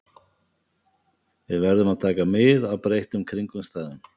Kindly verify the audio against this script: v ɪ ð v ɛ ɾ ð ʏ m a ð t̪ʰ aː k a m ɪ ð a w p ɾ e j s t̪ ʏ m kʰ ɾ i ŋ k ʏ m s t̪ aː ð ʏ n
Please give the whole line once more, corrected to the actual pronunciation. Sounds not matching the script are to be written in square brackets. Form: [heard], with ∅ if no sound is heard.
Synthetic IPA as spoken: v ɪ ð v ɛ ɾ ð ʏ m a ð t̪ʰ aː k a m ɪ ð a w p ɾ e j [h] t̪ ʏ m kʰ ɾ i ŋ k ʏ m s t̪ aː ð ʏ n